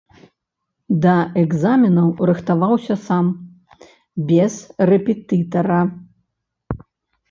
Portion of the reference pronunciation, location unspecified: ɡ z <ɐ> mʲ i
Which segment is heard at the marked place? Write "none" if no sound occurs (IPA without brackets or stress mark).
a